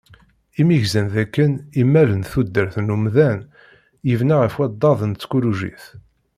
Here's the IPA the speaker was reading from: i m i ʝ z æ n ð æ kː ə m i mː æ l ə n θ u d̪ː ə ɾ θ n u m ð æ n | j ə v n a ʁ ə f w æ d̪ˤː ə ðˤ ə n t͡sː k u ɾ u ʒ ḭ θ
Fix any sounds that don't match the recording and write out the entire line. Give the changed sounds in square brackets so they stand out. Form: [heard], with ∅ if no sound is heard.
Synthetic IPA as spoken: i m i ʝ z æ n ð æ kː ə [n] i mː æ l ə n θ u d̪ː ə ɾ θ n u m ð æ n | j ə v n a ʁ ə f w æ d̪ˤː [ɑ] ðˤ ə n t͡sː k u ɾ u ʒ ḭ θ